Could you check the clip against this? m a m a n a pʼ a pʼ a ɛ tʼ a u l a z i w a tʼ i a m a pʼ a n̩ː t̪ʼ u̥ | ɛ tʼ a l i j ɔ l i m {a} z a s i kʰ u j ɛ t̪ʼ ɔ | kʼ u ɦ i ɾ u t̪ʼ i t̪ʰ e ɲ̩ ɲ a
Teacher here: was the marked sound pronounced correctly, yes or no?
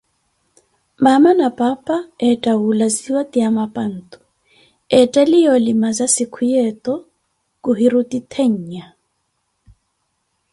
yes